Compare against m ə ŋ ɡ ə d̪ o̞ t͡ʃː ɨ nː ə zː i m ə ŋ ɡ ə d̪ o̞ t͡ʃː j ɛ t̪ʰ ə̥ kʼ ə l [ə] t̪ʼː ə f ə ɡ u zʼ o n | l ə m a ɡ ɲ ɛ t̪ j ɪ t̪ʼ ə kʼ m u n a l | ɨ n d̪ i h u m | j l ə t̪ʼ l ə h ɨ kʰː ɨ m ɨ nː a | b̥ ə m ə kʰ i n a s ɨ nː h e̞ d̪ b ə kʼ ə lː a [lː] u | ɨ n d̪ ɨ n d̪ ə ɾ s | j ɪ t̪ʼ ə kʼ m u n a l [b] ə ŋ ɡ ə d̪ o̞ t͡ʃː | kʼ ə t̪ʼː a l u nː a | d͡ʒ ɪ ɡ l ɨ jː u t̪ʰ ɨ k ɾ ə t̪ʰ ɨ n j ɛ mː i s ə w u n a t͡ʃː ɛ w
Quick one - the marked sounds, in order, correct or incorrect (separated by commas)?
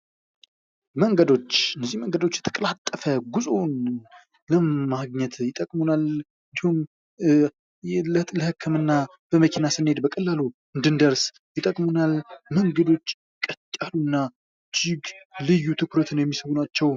incorrect, incorrect, incorrect